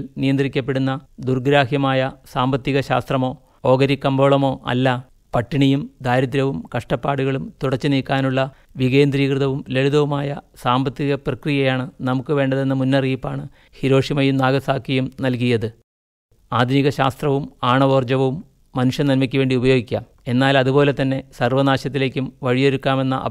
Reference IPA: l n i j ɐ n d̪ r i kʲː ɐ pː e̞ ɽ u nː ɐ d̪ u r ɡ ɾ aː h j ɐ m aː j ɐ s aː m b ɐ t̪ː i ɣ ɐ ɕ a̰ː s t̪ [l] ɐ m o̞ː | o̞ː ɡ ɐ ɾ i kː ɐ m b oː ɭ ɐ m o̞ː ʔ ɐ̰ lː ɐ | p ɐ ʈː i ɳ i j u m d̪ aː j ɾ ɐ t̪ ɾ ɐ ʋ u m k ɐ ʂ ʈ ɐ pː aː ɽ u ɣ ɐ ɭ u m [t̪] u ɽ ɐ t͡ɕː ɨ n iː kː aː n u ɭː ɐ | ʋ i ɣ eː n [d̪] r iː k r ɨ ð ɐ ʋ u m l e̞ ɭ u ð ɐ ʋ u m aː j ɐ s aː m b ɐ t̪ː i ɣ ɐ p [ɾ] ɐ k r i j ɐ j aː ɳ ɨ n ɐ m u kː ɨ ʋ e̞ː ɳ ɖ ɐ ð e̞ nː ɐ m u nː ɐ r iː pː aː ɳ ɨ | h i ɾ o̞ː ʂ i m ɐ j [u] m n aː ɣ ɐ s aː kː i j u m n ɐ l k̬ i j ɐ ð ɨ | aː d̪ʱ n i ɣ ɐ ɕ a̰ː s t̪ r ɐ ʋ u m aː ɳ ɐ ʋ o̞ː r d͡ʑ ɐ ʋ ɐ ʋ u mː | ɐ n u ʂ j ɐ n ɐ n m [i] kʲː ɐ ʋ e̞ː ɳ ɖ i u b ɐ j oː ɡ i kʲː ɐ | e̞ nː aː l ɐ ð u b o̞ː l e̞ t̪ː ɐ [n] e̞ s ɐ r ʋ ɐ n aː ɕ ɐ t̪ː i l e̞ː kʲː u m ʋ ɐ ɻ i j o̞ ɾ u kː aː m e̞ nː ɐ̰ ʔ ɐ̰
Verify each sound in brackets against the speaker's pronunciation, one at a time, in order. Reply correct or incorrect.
incorrect, correct, correct, incorrect, correct, correct, incorrect

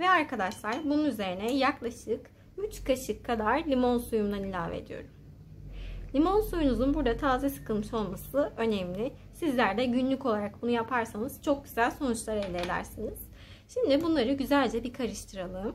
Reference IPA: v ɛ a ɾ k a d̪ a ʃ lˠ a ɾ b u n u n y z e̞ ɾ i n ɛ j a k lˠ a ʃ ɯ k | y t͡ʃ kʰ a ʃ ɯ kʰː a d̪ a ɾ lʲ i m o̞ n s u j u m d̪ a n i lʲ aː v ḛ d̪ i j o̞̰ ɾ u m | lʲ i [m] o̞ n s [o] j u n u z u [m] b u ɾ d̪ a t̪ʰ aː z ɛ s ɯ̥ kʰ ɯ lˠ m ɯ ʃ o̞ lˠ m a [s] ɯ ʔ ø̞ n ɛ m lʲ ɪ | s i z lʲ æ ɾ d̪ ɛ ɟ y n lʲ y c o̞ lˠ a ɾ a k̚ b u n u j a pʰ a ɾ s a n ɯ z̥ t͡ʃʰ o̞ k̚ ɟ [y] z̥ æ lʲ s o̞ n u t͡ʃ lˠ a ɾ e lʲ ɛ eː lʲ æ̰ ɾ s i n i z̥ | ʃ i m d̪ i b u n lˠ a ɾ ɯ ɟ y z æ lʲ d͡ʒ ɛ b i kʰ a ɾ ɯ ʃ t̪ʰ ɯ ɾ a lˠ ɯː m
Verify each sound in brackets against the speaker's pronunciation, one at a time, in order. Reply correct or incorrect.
correct, incorrect, incorrect, correct, correct

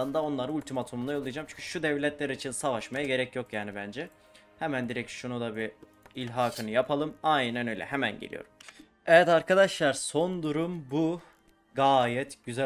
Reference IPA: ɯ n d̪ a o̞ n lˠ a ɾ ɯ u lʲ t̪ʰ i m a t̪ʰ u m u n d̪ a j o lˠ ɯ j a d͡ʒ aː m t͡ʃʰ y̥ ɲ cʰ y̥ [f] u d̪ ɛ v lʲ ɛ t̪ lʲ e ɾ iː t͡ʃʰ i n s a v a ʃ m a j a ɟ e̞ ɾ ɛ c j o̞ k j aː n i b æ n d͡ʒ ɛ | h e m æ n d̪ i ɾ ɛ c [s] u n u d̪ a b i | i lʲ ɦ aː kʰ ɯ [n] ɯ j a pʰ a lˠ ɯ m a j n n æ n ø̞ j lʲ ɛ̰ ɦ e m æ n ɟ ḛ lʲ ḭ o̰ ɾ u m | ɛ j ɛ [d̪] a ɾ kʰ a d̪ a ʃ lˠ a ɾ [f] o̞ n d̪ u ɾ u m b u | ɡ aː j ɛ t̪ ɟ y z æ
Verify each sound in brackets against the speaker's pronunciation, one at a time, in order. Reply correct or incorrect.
incorrect, incorrect, correct, incorrect, incorrect

